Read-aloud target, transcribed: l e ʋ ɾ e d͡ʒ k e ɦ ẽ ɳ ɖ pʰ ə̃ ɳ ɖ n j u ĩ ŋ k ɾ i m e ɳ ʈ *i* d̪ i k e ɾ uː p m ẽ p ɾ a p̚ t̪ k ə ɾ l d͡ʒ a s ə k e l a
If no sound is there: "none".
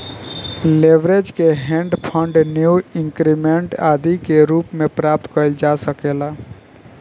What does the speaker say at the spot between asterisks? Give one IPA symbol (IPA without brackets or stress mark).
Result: a